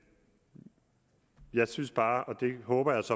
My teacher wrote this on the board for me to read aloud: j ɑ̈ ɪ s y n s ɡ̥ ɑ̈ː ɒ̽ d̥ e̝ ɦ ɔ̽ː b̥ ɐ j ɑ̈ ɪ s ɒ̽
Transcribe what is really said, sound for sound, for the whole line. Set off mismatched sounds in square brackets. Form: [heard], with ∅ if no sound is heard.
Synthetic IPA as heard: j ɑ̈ ɪ s y n s [b̥] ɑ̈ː ɒ̽ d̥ e̝ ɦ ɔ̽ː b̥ ɐ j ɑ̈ ɪ s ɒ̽